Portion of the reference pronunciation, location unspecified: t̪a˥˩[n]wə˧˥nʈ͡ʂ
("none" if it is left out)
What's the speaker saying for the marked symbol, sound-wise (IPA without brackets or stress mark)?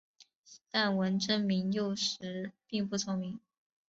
n